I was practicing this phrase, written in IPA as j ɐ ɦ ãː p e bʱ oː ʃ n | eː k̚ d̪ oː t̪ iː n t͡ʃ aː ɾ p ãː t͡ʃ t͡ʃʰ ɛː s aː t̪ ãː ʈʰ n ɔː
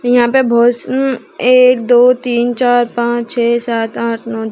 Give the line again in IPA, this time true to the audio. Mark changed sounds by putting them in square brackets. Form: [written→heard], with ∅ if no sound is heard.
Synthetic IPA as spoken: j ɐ ɦ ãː p e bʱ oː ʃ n | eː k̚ d̪ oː t̪ iː n t͡ʃ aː ɾ p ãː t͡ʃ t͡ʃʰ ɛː s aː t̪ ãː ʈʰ n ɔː